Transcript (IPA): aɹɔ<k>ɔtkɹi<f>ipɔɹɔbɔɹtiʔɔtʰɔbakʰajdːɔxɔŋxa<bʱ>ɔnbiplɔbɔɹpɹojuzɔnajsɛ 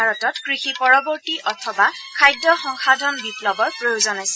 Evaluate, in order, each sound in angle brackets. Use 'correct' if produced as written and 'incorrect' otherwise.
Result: incorrect: t, incorrect: x, incorrect: dʱ

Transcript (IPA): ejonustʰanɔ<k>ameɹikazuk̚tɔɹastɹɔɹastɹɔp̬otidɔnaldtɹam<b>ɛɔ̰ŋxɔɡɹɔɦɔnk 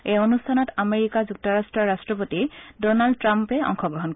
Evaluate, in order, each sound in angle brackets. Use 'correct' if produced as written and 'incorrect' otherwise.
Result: incorrect: t, incorrect: p

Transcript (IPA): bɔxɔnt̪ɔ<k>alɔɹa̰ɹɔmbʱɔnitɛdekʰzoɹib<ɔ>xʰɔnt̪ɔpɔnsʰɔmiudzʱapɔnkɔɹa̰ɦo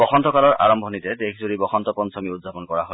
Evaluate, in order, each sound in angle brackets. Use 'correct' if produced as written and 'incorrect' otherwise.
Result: correct, correct

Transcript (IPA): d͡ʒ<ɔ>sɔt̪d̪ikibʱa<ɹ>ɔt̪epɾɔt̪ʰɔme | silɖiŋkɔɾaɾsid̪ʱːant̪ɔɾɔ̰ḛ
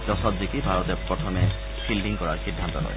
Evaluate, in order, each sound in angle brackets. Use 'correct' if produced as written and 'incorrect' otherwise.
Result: correct, incorrect: ɾ

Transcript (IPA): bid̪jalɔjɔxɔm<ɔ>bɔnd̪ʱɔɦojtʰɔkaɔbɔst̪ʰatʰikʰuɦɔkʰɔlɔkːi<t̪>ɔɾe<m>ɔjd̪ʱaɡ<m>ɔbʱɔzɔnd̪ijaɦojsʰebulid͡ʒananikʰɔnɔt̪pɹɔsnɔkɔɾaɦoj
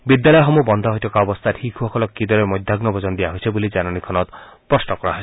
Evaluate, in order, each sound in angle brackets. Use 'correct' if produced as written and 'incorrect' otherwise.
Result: incorrect: u, incorrect: d̪, correct, incorrect: n

